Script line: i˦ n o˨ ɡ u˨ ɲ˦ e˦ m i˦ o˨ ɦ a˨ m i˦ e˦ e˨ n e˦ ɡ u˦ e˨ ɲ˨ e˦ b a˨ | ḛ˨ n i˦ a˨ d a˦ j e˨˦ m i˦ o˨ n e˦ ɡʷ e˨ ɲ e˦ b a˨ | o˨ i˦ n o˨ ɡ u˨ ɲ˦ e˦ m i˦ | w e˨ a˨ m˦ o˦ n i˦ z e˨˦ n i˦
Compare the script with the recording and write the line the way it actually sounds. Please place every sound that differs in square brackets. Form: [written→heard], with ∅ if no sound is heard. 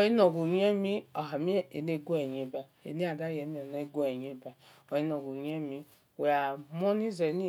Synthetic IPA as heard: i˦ n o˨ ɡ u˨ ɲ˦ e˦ m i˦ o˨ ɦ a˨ m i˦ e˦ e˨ n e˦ ɡ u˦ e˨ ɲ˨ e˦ b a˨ | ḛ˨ n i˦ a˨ d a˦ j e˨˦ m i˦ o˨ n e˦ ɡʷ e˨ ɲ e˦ b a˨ | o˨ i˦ n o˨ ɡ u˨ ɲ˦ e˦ m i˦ | w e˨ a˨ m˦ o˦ n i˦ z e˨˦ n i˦